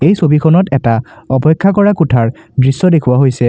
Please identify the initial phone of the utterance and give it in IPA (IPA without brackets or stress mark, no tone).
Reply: e